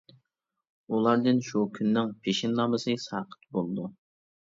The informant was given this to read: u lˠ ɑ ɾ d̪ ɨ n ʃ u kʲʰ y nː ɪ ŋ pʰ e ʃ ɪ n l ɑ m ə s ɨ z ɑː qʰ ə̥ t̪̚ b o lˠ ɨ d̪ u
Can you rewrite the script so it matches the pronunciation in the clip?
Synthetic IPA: u lˠ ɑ ɾ d̪ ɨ n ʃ u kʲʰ y nː ɪ ŋ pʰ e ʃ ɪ n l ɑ m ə s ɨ s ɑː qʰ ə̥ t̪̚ b o lˠ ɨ d̪ u